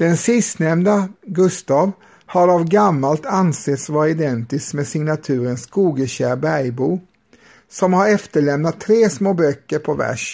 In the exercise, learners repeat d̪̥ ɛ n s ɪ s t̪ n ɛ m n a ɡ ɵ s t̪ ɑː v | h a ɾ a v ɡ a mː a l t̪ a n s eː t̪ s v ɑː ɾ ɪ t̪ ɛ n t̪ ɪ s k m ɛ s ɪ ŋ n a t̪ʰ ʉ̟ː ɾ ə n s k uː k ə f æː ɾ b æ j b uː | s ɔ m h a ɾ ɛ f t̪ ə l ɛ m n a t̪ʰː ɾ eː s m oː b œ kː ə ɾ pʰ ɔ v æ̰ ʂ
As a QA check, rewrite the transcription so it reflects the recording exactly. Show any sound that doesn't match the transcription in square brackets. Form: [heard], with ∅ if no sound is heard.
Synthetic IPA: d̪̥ ɛ n s ɪ s t̪ n ɛ m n a ɡ ɵ s t̪ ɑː v | h a ɾ a v ɡ a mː a l t̪ a n s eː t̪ s v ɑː ɾ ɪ [d̪] ɛ n t̪ ɪ s k m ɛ s ɪ ŋ n a t̪ʰ ʉ̟ː ɾ ə n s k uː [ɡ] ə [ɕ] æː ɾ b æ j b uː | s ɔ m h a ɾ ɛ f t̪ ə [ɭ] ɛ m n a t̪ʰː ɾ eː s m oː b œ kː ə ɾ pʰ ɔ v æ̰ ʂ